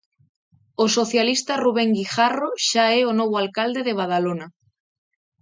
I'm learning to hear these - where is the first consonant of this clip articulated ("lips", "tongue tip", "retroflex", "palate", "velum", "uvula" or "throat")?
tongue tip